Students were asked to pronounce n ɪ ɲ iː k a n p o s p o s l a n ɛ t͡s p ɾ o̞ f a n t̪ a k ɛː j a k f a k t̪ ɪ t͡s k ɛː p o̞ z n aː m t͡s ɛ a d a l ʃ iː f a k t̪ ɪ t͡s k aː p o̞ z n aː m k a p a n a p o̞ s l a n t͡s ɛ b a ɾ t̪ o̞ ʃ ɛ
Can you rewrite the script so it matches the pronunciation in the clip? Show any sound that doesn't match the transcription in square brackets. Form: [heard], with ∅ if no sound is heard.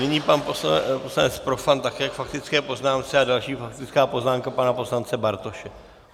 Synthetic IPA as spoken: n ɪ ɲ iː [p] a n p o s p o s l a n ɛ t͡s p ɾ o̞ f a n t̪ a k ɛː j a k f a k t̪ ɪ t͡s k ɛː p o̞ z n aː m t͡s ɛ a d a l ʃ iː f a k t̪ ɪ t͡s k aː p o̞ z n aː m k a p a n a p o̞ s l a n t͡s ɛ b a ɾ t̪ o̞ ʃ ɛ